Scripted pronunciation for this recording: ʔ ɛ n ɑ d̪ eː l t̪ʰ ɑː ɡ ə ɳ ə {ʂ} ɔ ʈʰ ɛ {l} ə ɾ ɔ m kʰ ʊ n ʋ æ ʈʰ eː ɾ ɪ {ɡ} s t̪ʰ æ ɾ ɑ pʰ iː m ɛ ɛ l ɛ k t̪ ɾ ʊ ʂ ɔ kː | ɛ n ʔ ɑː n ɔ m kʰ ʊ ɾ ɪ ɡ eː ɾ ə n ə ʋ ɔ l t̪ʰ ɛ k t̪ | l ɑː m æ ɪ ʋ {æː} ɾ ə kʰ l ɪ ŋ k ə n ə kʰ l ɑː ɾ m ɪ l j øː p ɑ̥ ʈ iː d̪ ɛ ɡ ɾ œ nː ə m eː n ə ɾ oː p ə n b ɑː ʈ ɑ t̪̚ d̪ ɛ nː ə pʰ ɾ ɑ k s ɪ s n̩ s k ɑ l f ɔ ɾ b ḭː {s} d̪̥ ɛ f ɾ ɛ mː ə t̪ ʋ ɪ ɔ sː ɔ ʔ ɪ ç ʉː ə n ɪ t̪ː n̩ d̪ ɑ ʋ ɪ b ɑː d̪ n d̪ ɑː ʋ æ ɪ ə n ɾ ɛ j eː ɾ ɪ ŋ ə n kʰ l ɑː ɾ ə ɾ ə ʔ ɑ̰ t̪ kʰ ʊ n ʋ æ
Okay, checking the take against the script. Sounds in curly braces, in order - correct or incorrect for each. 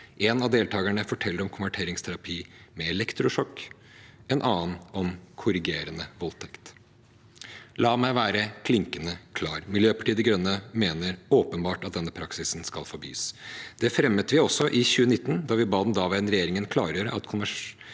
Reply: incorrect, incorrect, incorrect, correct, correct

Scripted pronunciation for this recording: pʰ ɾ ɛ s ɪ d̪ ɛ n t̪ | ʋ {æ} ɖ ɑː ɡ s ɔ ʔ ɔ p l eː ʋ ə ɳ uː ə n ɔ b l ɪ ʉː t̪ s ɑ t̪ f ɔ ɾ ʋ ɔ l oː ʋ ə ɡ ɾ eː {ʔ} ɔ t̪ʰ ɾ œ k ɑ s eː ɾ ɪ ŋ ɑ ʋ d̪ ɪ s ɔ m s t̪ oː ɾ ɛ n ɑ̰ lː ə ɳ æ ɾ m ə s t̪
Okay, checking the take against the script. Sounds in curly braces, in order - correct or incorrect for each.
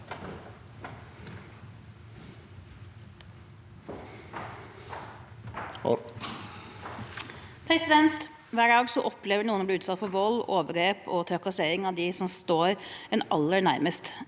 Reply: incorrect, incorrect

